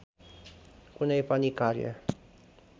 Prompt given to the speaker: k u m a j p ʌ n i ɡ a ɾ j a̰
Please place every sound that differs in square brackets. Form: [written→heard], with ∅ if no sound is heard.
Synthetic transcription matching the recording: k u [m→n] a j p [ʌ→a] n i [ɡ→k] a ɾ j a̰